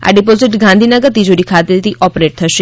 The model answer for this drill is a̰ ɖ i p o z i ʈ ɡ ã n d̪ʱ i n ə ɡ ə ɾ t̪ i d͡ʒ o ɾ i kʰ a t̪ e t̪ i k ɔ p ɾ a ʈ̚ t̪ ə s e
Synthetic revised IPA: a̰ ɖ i p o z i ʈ ɡ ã n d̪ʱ i n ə ɡ ə ɾ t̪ i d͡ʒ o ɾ i kʰ a t̪ e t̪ i ʔ ɔ p ɾ e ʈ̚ t̪ʰ ə ʃ e